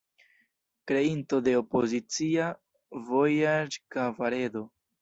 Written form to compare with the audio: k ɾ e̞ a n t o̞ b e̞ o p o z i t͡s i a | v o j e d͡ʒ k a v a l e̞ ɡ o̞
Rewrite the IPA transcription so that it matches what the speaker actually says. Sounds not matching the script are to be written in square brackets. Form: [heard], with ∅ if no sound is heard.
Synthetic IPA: k ɾ e̞ [i] n t o̞ [d] e̞ o p o z i t͡s i a | v o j [a] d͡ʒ k a v a [ɾ] e̞ [d] o̞